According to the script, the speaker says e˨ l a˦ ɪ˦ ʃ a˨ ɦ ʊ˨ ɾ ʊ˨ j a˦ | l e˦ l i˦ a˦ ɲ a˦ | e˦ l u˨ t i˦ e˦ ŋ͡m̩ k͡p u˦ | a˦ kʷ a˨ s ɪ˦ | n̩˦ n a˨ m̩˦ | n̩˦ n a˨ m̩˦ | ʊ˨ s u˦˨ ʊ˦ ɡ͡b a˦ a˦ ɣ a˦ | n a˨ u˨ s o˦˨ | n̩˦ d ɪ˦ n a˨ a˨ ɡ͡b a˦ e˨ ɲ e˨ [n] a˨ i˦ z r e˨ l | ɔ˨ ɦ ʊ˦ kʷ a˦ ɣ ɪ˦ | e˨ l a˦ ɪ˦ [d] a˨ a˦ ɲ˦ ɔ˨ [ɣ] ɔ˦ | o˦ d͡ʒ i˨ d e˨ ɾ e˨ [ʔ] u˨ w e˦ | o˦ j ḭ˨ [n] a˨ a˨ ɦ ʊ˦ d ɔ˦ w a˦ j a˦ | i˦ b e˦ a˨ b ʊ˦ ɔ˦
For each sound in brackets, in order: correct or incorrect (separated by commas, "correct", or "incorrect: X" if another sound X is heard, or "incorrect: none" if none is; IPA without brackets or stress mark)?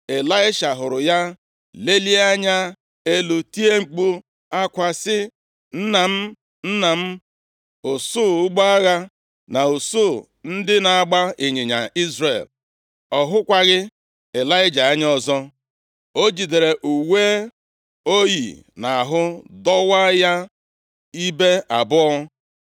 incorrect: ɲ, incorrect: d͡ʒ, incorrect: z, correct, correct